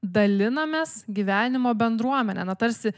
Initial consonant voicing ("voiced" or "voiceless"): voiced